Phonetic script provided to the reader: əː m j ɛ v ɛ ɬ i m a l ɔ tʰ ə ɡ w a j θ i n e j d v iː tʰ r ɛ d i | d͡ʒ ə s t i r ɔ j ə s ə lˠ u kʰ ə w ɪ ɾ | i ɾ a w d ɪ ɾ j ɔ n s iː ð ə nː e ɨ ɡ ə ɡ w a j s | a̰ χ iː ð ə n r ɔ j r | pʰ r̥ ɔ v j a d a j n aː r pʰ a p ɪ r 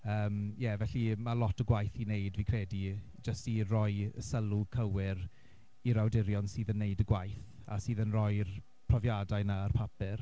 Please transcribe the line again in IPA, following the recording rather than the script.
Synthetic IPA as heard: əː m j ɛ v ɛ ɬ i m a l ɔ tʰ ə ɡ w a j θ i n e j d v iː kʰ r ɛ d i | d͡ʒ ə s t i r ɔ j ə s ə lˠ u kʰ ə w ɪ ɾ | i ɾ a w d ɪ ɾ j ɔ n s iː ð ə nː e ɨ d ə ɡ w a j θ | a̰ s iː ð ə n r ɔ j r | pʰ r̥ ɔ v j a d a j n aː r pʰ a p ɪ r